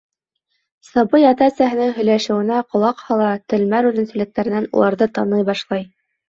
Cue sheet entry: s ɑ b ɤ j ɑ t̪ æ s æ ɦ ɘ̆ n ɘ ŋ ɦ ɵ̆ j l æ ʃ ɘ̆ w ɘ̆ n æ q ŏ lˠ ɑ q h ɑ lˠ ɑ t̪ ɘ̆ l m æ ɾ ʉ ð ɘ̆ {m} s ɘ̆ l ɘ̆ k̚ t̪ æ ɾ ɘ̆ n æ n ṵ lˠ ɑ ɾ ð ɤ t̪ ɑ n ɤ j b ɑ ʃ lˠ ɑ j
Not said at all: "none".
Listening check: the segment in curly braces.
n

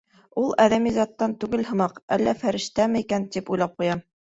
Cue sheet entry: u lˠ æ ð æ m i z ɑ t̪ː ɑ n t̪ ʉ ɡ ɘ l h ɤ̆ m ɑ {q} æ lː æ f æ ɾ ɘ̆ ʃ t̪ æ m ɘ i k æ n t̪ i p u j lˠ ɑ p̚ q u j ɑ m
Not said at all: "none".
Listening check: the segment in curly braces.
q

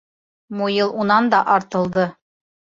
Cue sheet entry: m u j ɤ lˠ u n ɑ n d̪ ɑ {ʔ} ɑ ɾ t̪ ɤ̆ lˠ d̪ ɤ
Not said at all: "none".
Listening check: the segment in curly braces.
ʔ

